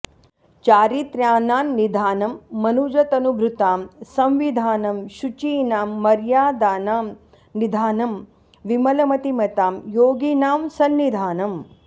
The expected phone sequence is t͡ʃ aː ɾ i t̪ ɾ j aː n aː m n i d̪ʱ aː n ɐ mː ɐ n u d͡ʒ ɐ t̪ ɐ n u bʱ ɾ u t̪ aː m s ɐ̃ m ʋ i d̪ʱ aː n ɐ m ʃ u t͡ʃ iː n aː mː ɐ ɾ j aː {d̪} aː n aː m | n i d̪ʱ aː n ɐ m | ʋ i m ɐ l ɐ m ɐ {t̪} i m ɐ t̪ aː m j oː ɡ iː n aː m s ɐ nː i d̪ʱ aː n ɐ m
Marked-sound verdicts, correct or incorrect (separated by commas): correct, correct